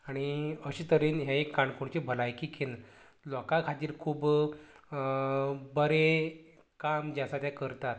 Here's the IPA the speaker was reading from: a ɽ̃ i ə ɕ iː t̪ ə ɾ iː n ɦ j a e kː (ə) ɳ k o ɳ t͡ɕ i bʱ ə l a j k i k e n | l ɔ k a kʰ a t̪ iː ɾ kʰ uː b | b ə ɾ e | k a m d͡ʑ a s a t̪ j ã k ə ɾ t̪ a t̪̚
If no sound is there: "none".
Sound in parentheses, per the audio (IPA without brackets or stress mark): a